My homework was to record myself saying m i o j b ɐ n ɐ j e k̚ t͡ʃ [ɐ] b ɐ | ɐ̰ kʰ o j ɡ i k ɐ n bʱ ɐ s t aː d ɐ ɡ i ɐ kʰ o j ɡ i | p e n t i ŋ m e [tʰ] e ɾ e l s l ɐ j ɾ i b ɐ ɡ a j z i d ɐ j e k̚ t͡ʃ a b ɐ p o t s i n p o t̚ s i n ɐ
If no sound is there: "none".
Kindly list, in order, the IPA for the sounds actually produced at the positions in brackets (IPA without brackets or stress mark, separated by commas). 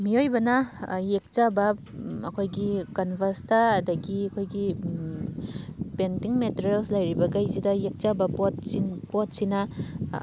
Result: a, t